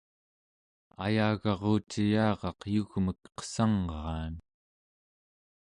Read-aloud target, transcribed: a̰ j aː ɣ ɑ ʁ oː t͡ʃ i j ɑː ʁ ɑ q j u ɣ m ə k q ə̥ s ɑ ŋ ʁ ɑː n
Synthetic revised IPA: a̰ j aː ɣ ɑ ʁ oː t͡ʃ i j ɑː ʁ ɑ q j u ɣ m ə k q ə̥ s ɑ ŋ ʁ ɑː n